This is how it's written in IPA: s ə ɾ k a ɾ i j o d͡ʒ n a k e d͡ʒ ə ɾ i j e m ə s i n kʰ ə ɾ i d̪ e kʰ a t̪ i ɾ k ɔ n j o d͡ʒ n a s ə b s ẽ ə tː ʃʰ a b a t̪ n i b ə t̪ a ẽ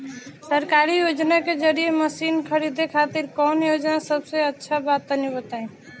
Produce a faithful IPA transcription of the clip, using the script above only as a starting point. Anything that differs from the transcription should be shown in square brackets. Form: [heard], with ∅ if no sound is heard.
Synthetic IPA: s ə ɾ k a ɾ i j o d͡ʒ n a k e d͡ʒ ə ɾ i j e m ə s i n kʰ ə ɾ i d̪ e kʰ a t̪ i ɾ k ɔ n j o d͡ʒ n a s ə b s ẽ ə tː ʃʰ a b a t̪ n i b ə t̪ a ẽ